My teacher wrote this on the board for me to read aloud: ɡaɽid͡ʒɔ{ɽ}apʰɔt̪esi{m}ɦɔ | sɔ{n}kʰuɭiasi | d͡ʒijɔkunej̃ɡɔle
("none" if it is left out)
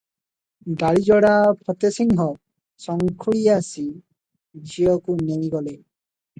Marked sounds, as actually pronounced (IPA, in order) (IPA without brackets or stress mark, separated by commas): ɽ, ŋ, ŋ